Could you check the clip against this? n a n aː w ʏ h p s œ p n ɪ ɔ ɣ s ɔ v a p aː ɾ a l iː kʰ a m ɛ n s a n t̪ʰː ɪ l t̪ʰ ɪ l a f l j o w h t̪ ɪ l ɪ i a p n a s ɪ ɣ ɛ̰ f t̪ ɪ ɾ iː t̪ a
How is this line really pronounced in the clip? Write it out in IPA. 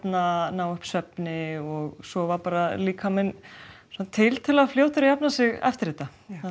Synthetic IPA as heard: n a n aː w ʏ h p s œ p n ɪ ɔ ɣ s ɔ v a p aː ɾ a l iː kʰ a m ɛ n s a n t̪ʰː ɪ l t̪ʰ ɪ l a f l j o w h t̪ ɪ ɾ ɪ j a p n a s ɪ ɣ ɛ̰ f t̪ ɪ ɾ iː t̪ a